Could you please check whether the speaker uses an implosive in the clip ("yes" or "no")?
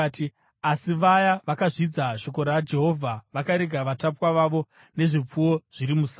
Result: no